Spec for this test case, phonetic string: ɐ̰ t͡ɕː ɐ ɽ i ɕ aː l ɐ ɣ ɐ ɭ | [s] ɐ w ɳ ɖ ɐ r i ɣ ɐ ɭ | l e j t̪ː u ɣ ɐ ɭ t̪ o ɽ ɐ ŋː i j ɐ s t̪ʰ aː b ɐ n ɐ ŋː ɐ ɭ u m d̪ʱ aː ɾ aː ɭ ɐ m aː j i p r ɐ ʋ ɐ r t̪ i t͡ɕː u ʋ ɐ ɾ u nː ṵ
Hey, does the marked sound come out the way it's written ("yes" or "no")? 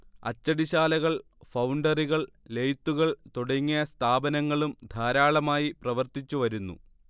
no